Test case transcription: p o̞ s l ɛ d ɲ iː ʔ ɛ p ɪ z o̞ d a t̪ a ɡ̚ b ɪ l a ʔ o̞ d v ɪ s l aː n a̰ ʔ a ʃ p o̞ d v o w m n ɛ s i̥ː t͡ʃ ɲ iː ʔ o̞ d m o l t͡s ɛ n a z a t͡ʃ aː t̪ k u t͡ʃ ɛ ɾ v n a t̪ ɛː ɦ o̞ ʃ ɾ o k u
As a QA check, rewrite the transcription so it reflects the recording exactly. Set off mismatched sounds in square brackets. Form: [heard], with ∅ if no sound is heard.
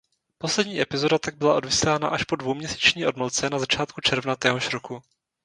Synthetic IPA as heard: p o̞ s l ɛ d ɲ iː ʔ ɛ p ɪ z o̞ d a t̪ a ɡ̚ b ɪ l a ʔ o̞ d v ɪ s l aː n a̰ ʔ a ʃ p o̞ d v o w m [ɲ] ɛ s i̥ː t͡ʃ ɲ iː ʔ o̞ d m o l t͡s ɛ n a z a t͡ʃ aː t̪ k u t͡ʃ ɛ ɾ v n a t̪ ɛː ɦ o̞ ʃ ɾ o k u